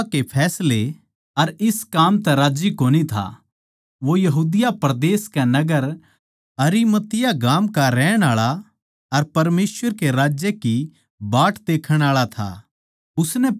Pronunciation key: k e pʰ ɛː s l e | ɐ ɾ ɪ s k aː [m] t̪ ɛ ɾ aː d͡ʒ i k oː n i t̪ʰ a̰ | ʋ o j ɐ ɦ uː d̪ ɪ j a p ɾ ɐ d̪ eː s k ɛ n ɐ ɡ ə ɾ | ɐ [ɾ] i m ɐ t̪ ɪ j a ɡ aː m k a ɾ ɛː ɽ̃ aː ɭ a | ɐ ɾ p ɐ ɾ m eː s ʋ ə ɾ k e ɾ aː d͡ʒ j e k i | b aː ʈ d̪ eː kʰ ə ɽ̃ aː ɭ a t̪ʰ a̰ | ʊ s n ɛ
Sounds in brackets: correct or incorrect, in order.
correct, correct

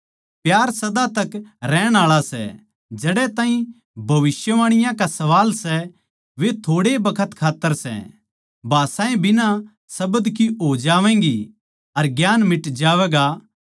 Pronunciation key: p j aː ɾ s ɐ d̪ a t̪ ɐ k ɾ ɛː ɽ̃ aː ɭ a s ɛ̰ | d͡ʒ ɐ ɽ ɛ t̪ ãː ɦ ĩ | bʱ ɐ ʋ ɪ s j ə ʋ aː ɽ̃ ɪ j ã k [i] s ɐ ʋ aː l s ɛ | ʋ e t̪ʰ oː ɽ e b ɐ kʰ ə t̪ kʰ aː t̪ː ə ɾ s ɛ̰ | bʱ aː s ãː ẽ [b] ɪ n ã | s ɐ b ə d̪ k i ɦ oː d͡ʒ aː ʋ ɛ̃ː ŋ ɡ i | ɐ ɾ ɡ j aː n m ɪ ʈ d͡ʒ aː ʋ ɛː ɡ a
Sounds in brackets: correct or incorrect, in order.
incorrect: a, correct

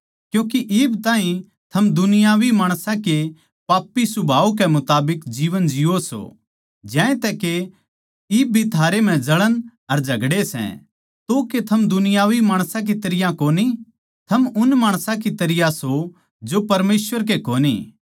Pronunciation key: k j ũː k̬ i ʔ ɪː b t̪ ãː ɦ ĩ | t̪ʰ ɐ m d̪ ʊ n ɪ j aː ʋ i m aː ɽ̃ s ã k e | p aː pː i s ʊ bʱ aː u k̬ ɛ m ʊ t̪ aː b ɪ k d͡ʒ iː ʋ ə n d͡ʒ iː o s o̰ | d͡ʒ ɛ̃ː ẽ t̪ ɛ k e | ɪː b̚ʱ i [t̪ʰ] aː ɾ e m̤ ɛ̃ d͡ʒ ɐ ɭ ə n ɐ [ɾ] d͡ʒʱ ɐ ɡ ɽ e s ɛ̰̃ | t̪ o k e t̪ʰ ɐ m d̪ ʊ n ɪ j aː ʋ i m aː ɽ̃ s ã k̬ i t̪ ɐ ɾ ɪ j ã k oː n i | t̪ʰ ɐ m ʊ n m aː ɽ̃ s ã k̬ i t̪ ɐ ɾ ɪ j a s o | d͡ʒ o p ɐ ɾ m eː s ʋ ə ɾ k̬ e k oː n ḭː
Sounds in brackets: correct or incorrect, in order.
correct, correct

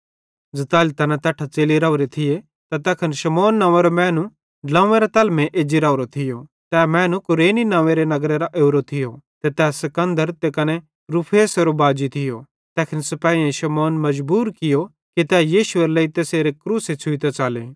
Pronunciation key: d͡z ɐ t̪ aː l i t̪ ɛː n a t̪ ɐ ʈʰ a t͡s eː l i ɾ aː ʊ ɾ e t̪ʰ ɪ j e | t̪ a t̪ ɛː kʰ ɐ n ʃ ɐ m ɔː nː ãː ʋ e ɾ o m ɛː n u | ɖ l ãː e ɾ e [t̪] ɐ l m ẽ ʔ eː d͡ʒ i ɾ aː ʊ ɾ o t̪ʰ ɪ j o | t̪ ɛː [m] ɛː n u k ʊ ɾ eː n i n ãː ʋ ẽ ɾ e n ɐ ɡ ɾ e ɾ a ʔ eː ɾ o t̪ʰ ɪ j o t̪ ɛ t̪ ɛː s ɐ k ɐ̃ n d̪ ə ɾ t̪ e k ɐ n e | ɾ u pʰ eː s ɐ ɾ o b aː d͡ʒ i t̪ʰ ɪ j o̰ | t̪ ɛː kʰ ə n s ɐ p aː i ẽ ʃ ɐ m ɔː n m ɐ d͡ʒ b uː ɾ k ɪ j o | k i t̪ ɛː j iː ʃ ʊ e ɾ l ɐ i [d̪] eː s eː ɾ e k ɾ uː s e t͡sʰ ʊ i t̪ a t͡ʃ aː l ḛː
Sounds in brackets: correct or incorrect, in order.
correct, correct, incorrect: t̪

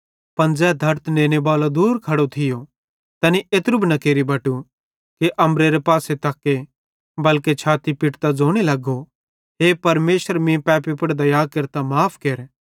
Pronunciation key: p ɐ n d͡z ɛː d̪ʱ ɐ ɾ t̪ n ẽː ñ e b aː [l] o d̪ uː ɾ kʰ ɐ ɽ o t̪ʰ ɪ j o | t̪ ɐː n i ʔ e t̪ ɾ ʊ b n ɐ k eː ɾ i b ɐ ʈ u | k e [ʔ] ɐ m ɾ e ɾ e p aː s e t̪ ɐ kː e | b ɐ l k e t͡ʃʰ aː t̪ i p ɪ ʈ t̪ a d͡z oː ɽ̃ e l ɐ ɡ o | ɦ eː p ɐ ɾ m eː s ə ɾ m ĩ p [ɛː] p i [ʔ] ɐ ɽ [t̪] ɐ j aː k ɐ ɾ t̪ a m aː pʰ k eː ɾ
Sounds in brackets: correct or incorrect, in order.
correct, correct, correct, incorrect: p, incorrect: d̪

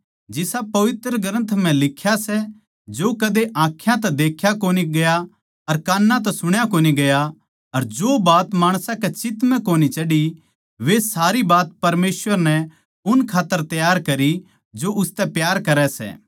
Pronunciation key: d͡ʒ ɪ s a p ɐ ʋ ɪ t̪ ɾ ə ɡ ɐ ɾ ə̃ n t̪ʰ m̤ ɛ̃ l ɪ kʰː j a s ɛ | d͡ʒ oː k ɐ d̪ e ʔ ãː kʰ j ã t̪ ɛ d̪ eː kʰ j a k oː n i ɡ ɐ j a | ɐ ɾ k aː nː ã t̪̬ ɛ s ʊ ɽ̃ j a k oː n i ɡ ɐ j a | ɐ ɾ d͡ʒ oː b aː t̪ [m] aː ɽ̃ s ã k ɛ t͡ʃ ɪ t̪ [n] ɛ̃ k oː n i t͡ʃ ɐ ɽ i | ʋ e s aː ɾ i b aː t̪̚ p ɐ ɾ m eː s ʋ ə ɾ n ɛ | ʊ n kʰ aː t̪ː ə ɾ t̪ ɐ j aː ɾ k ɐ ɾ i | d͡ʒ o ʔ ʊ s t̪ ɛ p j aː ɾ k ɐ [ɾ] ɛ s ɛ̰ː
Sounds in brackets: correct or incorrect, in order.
correct, incorrect: m, correct

